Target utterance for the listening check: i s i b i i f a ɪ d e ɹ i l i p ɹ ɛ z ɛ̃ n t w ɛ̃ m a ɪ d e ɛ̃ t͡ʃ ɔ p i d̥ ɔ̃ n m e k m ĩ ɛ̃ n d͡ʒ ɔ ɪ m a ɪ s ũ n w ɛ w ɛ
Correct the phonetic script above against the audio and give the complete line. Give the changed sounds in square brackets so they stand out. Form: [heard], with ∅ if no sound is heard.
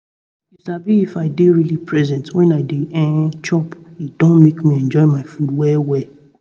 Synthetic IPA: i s [a] b i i f a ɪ d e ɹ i l i p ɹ ɛ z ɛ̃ n t w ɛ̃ [n] a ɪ d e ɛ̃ t͡ʃ ɔ p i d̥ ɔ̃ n m e k m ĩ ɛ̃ n d͡ʒ ɔ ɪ m a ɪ [f] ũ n w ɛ w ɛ